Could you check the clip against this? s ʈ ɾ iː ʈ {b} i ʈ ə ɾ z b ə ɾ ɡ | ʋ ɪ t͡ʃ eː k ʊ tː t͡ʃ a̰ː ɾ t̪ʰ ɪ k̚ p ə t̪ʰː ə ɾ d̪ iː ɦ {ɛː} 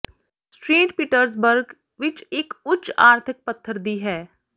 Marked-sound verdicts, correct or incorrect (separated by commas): incorrect, correct